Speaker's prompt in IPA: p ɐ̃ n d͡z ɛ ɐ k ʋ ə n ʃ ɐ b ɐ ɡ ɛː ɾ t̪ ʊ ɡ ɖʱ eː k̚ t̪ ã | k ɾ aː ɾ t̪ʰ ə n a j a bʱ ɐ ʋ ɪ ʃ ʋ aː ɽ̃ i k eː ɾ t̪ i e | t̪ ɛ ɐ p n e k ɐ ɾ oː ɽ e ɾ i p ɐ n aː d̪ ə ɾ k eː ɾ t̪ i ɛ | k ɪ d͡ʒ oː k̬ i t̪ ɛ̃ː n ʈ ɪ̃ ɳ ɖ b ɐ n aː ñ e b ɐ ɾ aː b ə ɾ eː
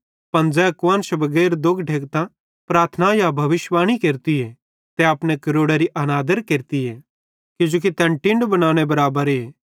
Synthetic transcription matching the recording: p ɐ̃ n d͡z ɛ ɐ k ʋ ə n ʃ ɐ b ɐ ɡ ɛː ɾ d̪ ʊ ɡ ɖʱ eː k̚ t̪ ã | p ɾ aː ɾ t̪ʰ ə n a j a bʱ ɐ ʋ ɪ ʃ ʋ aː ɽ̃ i k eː ɾ t̪ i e | t̪ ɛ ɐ p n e k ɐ ɾ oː ɽ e ɾ i ʔ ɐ n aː d̪ ə ɾ k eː ɾ t̪ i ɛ | k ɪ d͡ʒ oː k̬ i t̪ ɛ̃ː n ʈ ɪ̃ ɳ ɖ b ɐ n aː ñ e b ɐ ɾ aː b ə ɾ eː

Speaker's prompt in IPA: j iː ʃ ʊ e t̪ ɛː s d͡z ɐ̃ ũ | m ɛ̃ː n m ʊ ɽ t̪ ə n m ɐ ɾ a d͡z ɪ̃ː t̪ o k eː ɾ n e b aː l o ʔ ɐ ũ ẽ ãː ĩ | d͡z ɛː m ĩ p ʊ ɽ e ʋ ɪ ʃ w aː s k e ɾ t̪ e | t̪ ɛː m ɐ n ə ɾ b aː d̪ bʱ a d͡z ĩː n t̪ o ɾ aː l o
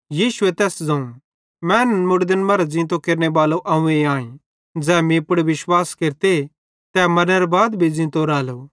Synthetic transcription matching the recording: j iː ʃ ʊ e t̪ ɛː s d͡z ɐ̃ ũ | m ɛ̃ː n m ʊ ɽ d̪ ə n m ɐ ɾ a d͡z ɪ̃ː t̪ o k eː ɾ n e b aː l o ʔ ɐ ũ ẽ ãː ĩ | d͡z ɛː m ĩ p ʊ ɽ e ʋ ɪ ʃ w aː s k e ɾ t̪ e | t̪ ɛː m ɐ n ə ɾ b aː d̪ bʱ i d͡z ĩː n t̪ o ɾ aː l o

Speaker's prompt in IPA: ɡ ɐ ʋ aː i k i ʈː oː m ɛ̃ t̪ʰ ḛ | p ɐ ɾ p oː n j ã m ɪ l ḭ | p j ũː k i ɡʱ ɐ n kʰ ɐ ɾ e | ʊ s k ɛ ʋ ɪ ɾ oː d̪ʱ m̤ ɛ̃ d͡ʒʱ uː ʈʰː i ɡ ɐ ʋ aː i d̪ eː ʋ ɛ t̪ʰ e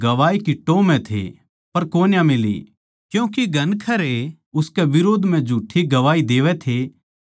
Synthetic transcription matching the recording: ɡ ɐ ʋ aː i k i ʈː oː m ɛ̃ t̪ʰ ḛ | p ɐ ɾ k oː n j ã m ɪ l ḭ | k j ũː k i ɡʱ ɐ n kʰ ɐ ɾ e | ʊ s k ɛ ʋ ɪ ɾ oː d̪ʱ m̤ ɛ̃ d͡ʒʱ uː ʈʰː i ɡ ɐ ʋ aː i d̪ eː ʋ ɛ t̪ʰ e

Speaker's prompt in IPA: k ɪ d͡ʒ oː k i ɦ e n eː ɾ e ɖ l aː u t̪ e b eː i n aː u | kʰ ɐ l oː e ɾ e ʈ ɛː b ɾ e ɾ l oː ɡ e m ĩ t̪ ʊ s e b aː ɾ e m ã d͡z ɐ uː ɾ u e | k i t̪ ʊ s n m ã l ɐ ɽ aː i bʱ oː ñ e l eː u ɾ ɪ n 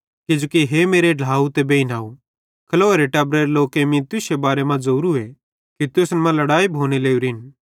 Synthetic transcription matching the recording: k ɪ d͡ʒ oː k i ɦ e m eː ɾ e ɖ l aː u t̪ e b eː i n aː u | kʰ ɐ l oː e ɾ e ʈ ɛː b ɾ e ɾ l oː k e m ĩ t̪ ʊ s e b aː ɾ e m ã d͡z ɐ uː ɾ u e | k i t̪ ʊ s n m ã l ɐ ɽ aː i bʱ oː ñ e l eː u ɾ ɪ n

